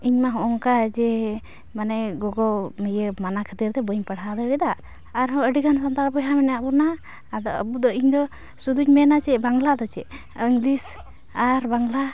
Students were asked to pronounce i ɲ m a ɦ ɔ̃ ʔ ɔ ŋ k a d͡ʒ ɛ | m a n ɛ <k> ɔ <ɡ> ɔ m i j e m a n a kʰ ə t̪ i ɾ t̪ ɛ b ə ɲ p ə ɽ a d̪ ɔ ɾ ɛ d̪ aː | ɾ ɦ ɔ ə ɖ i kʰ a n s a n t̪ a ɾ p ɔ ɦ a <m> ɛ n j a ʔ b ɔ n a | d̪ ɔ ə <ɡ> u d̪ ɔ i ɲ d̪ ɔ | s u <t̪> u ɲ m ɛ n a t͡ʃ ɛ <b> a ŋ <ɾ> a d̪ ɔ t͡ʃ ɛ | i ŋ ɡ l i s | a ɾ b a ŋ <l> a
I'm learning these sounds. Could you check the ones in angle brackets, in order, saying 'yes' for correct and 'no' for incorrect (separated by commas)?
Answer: no, yes, yes, no, no, yes, no, yes